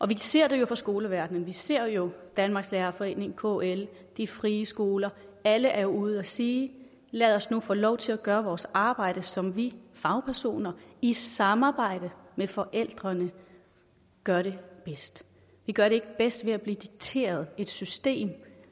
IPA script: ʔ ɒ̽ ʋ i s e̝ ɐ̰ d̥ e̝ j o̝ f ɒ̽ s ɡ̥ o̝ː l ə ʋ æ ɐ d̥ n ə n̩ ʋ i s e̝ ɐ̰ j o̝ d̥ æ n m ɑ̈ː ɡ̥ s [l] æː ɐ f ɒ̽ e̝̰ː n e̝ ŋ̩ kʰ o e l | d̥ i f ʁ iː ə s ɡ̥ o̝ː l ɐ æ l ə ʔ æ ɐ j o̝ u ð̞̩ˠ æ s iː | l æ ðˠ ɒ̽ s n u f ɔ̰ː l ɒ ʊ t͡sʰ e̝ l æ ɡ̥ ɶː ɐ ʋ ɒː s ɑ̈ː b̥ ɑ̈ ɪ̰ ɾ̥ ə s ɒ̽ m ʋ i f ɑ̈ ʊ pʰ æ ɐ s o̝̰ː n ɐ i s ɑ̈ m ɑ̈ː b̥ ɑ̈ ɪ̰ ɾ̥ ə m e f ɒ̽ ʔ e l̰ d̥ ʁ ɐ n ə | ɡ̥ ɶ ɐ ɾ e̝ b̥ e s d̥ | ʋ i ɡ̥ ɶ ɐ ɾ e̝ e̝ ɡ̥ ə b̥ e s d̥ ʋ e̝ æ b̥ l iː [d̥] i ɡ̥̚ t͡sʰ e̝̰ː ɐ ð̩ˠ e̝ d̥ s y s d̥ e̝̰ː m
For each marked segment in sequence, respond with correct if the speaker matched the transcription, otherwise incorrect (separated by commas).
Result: correct, correct